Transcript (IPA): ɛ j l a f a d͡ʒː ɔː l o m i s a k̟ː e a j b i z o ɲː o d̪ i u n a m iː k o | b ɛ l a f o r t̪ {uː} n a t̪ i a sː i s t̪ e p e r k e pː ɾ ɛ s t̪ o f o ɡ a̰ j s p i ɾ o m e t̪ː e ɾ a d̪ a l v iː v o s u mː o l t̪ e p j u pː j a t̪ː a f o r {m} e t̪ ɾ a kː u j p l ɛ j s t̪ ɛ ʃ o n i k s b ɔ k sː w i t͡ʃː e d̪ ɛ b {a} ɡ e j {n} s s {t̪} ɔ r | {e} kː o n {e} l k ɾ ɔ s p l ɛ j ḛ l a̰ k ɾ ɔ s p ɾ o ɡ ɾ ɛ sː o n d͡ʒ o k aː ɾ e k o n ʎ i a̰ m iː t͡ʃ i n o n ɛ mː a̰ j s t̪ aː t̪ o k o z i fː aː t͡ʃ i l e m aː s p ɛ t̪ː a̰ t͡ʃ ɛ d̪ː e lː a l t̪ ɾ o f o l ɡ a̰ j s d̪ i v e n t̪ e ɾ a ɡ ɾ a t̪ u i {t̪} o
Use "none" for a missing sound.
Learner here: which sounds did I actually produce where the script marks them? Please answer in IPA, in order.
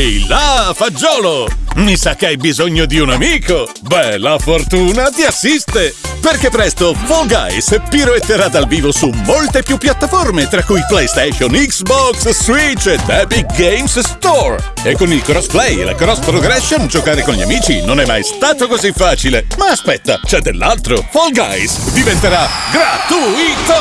uː, m, i, m, t̪, e, i, t̪

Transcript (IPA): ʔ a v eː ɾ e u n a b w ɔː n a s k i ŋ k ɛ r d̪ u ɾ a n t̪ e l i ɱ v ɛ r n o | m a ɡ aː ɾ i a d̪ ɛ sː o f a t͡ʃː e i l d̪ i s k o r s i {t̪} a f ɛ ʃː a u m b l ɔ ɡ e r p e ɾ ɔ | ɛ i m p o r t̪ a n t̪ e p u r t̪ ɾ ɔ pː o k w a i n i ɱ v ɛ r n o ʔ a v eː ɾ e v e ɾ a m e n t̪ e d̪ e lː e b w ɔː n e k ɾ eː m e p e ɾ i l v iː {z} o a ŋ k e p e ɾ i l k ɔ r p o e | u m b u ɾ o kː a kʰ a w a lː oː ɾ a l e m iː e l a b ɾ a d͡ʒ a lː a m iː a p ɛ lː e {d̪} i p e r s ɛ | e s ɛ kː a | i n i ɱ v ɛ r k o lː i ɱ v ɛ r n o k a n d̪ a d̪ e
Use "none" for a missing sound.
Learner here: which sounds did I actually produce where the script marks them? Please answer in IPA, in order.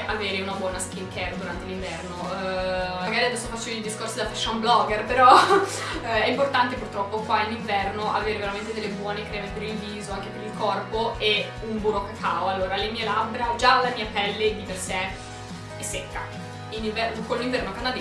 d̪, z, d̪

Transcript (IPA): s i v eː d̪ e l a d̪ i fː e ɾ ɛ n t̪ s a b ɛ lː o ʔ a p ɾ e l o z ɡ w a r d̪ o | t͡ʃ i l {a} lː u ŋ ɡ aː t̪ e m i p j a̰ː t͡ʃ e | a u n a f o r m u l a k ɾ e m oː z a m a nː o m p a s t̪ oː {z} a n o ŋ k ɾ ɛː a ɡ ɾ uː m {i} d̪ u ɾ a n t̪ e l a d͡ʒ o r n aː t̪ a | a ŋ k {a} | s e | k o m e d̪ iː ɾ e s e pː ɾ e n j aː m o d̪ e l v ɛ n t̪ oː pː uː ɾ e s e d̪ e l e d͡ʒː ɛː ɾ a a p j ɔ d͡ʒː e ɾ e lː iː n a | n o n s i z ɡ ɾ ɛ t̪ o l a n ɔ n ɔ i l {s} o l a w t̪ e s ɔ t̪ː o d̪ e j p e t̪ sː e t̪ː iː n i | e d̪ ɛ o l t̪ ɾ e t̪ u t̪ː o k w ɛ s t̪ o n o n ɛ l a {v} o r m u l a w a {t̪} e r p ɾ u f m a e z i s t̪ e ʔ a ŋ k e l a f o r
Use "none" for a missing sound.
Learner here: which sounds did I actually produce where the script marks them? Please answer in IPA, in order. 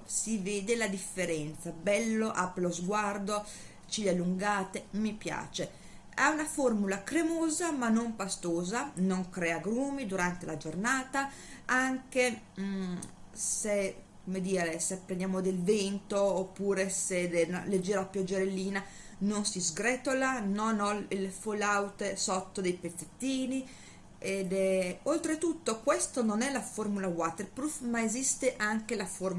a, z, i, e, f, f, t̪

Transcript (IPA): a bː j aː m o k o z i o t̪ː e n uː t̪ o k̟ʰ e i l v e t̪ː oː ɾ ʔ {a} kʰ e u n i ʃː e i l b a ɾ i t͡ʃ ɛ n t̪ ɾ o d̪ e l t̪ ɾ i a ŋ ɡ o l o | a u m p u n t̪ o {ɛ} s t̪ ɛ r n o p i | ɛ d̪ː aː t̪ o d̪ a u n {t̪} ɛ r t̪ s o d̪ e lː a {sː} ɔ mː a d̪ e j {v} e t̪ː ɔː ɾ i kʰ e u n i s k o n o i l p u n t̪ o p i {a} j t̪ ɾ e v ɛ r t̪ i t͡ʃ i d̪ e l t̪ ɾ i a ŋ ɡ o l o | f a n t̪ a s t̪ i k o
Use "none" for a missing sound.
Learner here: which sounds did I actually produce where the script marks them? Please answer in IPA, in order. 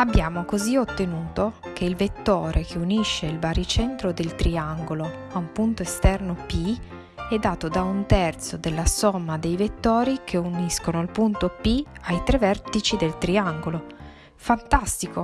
e, e, t̪, s, v, a

